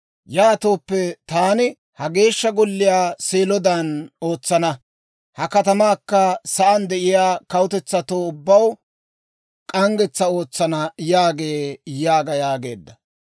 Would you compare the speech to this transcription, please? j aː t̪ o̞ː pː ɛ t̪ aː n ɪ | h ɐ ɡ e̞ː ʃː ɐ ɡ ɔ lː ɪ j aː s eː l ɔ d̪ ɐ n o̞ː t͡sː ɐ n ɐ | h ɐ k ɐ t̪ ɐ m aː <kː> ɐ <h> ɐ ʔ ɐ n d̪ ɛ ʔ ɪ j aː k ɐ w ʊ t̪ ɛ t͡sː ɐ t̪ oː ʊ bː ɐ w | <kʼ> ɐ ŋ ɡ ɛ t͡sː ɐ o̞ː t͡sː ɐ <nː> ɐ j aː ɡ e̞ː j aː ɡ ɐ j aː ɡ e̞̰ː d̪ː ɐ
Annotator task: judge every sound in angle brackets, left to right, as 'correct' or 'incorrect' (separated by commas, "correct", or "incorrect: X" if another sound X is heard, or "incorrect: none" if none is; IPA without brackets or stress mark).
correct, incorrect: s, correct, incorrect: n